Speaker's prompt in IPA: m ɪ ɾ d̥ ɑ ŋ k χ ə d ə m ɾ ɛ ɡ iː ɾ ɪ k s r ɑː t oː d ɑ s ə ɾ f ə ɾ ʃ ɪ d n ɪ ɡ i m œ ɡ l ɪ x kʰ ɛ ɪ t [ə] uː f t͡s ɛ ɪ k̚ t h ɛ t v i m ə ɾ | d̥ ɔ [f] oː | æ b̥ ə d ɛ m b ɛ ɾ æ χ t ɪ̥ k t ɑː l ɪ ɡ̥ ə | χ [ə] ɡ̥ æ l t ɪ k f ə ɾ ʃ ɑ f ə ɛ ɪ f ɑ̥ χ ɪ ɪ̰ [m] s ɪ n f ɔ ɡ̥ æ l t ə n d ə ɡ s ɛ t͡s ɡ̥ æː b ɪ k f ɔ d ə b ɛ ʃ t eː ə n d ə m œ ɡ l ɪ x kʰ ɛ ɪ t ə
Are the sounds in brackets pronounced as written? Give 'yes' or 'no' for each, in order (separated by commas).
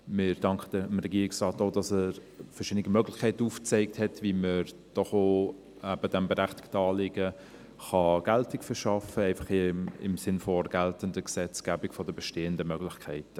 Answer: yes, no, no, yes